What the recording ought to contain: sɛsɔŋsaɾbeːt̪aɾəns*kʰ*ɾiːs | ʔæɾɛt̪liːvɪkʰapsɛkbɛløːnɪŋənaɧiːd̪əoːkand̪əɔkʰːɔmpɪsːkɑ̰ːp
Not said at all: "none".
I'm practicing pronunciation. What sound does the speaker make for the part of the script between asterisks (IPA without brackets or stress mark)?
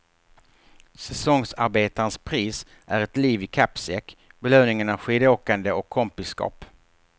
pʰ